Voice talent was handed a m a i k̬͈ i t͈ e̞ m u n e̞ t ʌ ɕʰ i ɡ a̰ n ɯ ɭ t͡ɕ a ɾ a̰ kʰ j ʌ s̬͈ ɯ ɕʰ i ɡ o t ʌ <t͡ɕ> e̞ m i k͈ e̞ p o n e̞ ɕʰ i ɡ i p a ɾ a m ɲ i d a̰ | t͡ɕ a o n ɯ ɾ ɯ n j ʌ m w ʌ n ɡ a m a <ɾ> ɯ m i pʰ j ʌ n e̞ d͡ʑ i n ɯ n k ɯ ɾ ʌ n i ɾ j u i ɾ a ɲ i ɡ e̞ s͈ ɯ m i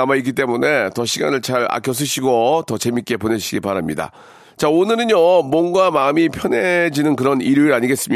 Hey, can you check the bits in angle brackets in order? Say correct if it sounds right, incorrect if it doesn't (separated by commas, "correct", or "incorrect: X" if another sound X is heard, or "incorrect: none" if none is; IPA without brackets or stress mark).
correct, incorrect: none